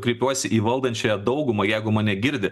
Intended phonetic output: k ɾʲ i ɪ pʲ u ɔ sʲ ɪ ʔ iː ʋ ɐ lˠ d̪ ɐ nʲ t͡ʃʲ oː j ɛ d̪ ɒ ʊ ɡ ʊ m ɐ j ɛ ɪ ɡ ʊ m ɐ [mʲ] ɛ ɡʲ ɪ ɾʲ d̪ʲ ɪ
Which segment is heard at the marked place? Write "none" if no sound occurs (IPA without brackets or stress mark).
nʲ